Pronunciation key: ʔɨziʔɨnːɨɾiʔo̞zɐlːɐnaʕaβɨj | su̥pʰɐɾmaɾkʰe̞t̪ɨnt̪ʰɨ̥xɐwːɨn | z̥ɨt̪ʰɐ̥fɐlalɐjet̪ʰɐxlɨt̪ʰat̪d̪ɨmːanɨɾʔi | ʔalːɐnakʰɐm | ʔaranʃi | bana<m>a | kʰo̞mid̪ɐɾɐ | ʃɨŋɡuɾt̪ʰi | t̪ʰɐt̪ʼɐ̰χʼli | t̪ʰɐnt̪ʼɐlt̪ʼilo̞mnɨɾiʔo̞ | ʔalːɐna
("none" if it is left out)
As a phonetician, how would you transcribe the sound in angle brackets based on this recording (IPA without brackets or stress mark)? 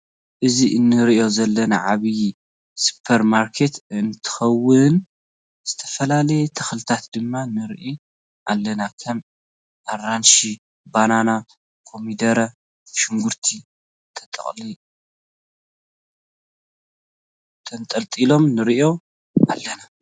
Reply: n